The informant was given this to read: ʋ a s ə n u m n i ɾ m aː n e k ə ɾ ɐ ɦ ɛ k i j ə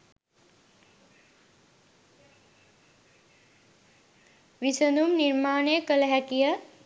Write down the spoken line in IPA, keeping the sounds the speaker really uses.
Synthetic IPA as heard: ʋ i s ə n u m n i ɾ m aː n e k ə l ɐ ɦ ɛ k i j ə